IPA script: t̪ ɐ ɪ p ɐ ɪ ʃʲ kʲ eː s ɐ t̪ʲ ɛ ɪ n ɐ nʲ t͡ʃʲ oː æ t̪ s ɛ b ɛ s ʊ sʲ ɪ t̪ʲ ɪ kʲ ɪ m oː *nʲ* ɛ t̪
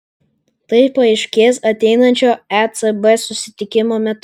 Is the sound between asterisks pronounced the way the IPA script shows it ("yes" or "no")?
no